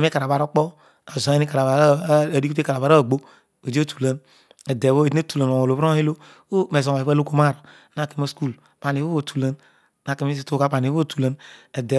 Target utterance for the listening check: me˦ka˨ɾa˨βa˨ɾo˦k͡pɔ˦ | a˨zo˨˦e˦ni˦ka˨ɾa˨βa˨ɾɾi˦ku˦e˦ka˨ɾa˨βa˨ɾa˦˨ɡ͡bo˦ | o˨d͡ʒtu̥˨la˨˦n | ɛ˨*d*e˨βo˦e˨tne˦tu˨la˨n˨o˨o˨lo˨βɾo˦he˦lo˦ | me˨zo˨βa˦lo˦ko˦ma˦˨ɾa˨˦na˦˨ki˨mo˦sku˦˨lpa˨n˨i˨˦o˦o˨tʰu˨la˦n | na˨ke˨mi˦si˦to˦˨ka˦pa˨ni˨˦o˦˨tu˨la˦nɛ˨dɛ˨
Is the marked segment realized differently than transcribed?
no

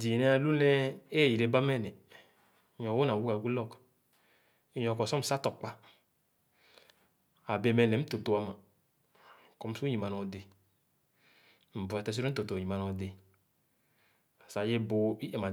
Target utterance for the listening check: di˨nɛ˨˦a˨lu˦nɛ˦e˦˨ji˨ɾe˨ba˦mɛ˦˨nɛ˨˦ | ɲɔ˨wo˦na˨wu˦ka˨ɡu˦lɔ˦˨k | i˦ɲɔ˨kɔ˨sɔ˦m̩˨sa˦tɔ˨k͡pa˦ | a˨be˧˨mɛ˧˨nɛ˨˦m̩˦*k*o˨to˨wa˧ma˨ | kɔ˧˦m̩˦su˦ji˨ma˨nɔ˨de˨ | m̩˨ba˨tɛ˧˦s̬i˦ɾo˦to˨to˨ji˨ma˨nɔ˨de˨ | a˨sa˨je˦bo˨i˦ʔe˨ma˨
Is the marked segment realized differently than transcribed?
yes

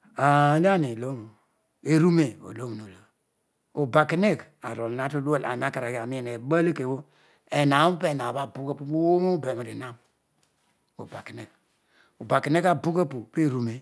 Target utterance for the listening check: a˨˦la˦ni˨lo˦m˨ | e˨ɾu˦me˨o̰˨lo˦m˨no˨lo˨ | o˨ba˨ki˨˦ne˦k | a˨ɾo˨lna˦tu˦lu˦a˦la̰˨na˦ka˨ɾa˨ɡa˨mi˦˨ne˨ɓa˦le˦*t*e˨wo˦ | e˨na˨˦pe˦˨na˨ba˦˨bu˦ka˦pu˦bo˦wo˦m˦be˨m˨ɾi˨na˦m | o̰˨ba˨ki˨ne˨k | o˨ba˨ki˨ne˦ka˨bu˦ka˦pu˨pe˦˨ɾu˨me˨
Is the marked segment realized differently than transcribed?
yes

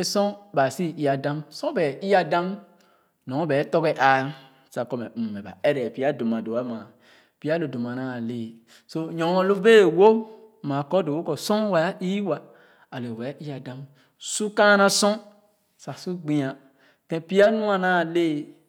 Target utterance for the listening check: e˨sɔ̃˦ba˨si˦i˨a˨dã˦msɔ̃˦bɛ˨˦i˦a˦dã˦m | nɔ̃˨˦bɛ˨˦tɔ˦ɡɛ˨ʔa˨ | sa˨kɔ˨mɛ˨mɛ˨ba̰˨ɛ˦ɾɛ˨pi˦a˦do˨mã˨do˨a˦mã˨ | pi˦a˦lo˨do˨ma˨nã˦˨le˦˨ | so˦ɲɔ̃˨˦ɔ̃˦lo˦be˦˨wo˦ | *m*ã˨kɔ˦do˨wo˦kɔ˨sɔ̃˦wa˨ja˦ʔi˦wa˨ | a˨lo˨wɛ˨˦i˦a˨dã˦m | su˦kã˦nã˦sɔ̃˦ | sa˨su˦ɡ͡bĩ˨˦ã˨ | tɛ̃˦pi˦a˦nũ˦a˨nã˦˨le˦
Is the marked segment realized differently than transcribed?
no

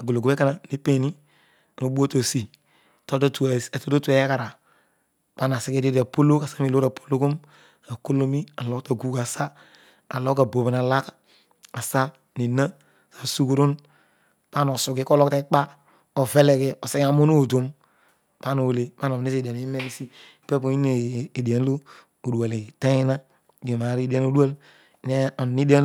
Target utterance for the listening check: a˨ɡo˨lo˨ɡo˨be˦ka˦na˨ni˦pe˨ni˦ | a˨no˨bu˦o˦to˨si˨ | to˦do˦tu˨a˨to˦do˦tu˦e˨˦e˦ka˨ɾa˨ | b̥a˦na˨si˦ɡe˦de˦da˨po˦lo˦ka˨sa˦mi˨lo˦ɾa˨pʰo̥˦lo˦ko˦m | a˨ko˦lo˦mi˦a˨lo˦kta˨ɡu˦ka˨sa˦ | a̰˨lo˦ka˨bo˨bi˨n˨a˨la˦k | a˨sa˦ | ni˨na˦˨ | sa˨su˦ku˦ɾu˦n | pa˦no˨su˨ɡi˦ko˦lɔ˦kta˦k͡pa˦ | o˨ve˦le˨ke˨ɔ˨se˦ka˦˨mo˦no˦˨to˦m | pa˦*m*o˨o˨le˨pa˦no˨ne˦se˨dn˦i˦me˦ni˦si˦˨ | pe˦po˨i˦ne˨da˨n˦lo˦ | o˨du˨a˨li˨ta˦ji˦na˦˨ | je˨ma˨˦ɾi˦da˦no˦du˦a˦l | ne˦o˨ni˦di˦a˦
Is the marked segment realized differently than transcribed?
yes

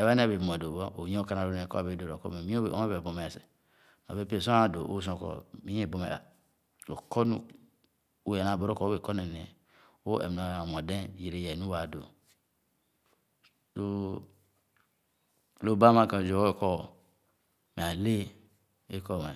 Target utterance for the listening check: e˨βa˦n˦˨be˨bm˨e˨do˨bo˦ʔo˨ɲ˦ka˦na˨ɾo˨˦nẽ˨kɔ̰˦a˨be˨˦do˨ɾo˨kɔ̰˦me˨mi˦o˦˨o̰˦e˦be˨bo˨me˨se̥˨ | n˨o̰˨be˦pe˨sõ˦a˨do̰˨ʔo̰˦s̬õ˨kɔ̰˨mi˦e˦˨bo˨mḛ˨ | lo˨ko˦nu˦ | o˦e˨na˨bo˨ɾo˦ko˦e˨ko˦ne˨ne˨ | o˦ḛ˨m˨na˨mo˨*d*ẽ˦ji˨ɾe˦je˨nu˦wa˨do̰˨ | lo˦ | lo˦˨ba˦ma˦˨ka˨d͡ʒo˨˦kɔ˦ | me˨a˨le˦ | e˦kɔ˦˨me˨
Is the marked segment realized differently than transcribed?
no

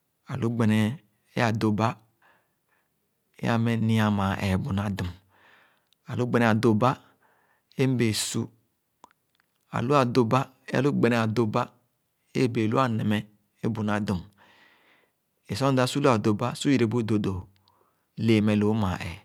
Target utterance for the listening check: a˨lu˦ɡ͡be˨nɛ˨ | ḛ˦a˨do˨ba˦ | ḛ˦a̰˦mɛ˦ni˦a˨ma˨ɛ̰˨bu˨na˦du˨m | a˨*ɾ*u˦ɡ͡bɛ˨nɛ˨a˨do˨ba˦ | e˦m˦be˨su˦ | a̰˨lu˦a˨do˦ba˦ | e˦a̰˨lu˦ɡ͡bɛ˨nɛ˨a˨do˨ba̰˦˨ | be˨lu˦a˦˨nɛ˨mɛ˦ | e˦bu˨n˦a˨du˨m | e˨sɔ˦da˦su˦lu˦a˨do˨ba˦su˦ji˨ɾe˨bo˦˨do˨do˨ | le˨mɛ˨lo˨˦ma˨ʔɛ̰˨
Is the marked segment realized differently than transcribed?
yes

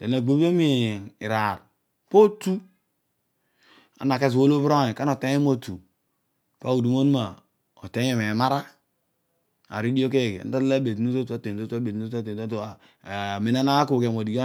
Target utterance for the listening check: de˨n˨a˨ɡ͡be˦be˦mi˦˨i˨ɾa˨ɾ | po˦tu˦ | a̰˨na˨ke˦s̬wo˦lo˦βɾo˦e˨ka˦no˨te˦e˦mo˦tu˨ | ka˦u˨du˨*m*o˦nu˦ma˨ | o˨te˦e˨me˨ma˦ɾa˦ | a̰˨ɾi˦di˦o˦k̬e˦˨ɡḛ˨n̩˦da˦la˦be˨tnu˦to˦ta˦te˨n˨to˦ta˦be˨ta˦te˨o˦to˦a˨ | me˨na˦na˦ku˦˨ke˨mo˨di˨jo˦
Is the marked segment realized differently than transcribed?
no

